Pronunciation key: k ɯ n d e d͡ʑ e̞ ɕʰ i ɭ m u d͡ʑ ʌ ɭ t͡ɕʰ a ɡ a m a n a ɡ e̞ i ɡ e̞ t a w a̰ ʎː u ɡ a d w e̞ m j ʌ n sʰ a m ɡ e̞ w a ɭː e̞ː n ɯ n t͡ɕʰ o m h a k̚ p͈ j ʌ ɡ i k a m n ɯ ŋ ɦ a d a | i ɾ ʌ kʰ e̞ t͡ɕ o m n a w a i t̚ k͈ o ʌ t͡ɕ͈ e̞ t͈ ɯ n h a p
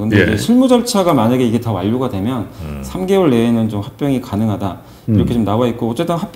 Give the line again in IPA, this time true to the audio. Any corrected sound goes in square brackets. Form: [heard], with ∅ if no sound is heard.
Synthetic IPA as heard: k ɯ n d e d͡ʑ e̞ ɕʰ i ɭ m u d͡ʑ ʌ ɭ t͡ɕʰ a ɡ a m a [ɲ] a ɡ e̞ i ɡ e̞ t a w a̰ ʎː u ɡ a d w e̞ m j ʌ n sʰ a m ɡ e̞ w [ʌ] ɭː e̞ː n ɯ n [t͡ɕ] o m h a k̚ p͈ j ʌ [ŋ] i k a [∅] n ɯ ŋ ɦ a d a | i ɾ ʌ kʰ e̞ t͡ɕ o m n a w a i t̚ k͈ o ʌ t͡ɕ͈ e̞ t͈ ɯ n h a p